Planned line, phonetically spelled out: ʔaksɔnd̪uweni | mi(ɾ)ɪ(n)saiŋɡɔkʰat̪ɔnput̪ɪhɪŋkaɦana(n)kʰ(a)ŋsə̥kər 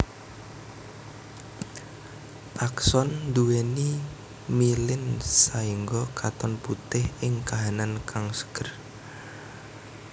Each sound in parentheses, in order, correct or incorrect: incorrect, correct, correct, correct

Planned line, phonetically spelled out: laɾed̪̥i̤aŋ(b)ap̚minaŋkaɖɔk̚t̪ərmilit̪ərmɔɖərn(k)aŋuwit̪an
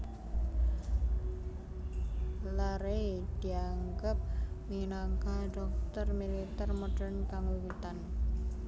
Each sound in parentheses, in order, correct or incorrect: incorrect, correct

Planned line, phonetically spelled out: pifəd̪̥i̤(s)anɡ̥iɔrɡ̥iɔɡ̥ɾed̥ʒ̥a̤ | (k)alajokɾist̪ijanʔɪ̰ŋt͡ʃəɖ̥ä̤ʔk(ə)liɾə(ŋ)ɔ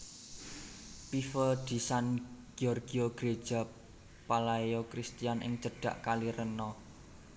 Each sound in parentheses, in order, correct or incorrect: correct, incorrect, incorrect, incorrect

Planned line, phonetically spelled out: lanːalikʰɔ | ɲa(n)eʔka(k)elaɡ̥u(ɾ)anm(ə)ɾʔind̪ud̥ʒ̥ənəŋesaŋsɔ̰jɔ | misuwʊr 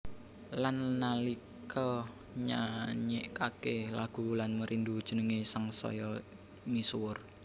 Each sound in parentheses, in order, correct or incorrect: incorrect, correct, incorrect, correct

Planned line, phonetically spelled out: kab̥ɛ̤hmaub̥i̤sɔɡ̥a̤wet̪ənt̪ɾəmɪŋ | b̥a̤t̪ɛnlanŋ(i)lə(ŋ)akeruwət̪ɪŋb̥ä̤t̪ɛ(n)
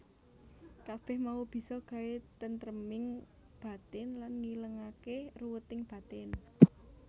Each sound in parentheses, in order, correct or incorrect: correct, correct, correct

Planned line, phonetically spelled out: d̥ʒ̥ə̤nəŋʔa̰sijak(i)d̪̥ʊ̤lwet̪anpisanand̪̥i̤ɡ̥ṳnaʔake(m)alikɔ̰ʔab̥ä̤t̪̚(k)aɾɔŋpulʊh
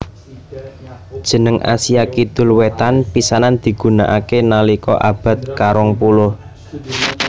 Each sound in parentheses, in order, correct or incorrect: correct, incorrect, correct

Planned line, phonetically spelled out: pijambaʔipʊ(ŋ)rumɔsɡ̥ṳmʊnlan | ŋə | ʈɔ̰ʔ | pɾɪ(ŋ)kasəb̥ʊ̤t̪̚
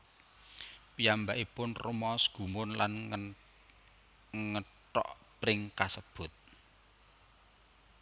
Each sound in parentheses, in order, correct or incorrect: incorrect, correct

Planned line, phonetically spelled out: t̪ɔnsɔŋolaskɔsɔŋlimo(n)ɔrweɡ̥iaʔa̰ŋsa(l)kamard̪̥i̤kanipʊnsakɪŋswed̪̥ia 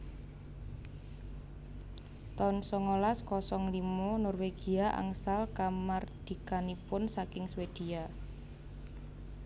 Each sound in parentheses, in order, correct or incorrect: correct, correct

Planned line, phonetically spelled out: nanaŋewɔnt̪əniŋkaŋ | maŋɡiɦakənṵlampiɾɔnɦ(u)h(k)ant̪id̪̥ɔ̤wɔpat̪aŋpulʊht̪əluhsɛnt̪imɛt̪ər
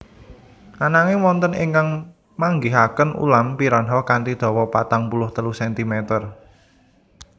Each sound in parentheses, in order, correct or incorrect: incorrect, correct

